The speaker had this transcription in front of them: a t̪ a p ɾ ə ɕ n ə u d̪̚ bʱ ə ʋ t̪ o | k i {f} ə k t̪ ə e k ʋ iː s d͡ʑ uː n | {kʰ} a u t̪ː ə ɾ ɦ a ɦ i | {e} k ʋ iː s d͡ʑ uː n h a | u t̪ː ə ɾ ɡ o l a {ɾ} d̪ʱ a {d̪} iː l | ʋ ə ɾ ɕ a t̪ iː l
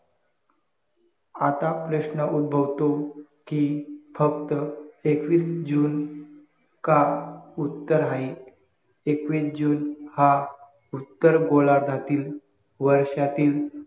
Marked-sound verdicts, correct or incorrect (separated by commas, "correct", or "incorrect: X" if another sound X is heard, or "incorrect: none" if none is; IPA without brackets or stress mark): correct, incorrect: k, correct, correct, incorrect: t̪